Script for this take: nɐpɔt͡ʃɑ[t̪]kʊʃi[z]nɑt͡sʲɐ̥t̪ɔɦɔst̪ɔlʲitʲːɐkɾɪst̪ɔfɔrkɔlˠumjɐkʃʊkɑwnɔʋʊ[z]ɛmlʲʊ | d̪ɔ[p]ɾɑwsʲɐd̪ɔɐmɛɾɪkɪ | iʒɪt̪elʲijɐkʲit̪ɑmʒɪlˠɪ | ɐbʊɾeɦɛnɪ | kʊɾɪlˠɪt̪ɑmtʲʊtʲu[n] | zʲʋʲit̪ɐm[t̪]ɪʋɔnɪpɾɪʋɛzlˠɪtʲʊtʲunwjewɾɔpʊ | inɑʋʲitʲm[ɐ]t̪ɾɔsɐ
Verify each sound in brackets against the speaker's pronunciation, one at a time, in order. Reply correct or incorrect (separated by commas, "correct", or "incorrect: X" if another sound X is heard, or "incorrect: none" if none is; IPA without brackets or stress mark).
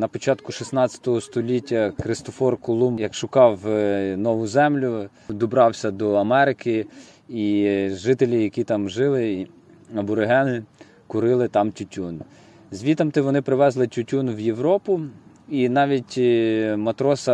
correct, incorrect: s, correct, incorrect: b, correct, correct, correct